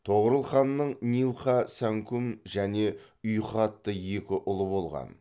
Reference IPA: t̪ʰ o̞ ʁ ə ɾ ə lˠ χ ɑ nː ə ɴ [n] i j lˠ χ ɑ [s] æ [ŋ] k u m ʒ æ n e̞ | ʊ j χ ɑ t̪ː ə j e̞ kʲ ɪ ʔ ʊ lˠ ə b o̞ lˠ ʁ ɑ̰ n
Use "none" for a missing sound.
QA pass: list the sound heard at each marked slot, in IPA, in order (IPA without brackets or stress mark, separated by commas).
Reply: n, s, ŋ